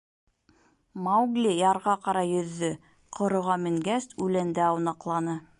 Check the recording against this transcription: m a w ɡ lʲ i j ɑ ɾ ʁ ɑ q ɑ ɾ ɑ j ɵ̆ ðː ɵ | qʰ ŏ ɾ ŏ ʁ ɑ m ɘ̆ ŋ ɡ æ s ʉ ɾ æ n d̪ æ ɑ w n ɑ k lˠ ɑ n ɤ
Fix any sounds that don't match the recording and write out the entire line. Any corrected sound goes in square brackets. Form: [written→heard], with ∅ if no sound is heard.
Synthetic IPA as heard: m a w ɡ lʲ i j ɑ ɾ ʁ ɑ q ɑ ɾ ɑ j ɵ̆ ðː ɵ | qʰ ŏ ɾ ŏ ʁ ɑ m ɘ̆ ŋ ɡ æ s ʉ [ɾ→l] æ n d̪ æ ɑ w n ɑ [k→q] lˠ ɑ n ɤ